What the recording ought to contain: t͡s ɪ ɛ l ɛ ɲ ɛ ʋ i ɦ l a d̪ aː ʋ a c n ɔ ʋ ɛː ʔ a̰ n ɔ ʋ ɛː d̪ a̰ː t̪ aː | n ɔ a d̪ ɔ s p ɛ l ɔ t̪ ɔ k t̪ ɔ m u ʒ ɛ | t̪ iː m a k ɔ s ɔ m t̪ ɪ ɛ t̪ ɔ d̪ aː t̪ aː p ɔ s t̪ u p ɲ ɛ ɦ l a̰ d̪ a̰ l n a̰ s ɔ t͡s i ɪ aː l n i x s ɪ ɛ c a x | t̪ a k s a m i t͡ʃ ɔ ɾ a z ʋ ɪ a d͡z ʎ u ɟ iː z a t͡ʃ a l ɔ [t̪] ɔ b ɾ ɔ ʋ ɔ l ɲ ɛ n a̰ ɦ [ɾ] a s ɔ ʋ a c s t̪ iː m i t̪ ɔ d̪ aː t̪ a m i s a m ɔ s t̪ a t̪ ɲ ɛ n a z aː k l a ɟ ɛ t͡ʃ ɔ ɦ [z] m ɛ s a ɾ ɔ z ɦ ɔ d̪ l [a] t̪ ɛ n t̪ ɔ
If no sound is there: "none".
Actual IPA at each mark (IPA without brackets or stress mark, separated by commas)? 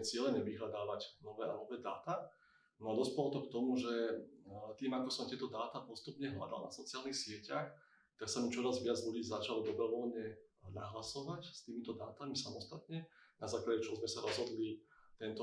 d̪, l, z, i